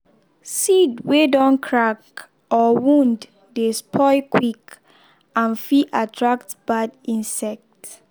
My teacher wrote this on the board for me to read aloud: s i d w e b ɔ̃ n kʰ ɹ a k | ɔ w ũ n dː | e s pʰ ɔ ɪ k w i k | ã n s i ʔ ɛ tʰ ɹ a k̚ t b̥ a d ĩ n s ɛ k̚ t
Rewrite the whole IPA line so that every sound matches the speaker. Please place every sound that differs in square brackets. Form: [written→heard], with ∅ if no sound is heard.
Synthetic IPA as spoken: s i d w e [b→d] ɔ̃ n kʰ ɹ a k | ɔ w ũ n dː | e s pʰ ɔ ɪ k w i k | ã n [s→f] i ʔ [ɛ→a] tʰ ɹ a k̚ t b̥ a d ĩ n s ɛ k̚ t